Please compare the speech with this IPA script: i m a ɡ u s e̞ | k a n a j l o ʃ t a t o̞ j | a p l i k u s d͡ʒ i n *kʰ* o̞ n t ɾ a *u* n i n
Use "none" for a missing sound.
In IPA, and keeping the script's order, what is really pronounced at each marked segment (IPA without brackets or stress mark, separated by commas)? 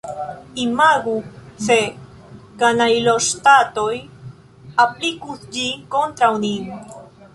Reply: k, w